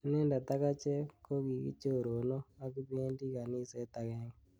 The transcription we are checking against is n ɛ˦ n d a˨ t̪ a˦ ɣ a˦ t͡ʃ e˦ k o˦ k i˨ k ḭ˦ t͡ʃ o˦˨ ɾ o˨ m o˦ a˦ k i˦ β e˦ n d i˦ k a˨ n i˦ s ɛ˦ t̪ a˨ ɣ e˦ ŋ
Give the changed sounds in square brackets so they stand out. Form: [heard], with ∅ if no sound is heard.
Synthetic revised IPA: n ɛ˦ n d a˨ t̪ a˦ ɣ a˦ t͡ʃ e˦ k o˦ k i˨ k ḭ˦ t͡ʃ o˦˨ ɾ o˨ [n] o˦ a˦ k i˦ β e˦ n d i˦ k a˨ n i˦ s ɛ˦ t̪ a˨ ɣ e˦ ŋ